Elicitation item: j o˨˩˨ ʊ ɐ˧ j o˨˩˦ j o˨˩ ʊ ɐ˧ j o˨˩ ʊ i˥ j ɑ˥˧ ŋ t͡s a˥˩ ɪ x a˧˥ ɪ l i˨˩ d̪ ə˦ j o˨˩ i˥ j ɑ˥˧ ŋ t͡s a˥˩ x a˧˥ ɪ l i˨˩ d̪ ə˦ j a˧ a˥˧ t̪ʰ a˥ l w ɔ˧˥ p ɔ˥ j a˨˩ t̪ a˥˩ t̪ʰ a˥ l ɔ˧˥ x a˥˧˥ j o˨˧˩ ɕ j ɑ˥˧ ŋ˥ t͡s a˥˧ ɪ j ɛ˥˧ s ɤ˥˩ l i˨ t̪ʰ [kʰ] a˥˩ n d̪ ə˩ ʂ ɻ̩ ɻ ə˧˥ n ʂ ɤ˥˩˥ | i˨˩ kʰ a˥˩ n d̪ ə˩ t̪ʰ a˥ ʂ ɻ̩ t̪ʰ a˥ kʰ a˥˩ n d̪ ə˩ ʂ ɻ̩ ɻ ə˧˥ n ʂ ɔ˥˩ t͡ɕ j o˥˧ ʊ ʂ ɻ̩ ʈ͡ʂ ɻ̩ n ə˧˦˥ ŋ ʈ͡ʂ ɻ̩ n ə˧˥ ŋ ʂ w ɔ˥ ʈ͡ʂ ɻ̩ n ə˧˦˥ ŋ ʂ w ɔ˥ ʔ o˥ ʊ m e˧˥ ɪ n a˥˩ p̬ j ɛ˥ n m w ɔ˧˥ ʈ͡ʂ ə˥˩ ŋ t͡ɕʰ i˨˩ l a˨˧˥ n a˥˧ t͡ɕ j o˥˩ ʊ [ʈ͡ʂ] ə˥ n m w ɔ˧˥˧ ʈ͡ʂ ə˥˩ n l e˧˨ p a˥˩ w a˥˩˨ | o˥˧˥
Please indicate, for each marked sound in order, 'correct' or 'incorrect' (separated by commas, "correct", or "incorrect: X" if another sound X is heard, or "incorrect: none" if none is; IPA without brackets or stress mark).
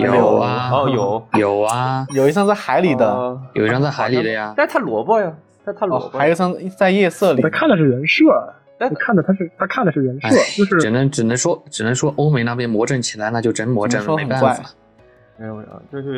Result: correct, correct